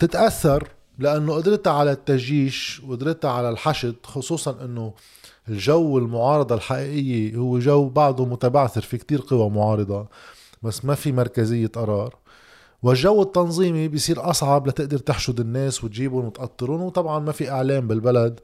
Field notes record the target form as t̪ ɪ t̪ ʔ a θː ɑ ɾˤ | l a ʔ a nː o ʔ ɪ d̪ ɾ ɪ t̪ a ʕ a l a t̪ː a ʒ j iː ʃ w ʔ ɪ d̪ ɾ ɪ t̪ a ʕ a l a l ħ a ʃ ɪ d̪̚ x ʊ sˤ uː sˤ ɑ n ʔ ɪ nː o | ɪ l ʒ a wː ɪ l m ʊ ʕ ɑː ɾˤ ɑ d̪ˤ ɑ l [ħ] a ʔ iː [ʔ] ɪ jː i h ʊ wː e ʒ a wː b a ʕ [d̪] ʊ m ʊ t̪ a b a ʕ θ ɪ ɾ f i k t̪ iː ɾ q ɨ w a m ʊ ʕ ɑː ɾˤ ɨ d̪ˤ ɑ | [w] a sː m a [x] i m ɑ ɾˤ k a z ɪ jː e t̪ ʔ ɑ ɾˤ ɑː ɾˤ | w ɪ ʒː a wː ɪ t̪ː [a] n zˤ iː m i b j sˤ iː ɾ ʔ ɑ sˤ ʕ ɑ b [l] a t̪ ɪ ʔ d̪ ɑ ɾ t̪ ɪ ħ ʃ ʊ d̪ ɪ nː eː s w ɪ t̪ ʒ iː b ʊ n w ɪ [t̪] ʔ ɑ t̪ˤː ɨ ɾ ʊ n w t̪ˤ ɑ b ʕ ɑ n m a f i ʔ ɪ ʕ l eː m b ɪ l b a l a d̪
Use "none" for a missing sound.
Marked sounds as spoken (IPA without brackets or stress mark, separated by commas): ħ, ʔ, d̪, b, f, ɑ, l, t̪